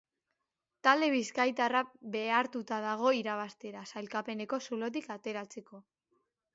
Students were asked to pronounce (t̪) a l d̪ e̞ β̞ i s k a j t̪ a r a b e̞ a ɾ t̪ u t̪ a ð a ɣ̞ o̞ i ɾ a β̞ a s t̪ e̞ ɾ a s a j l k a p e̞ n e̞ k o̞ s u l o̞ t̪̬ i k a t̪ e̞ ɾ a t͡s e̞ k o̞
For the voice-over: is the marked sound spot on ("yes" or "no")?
yes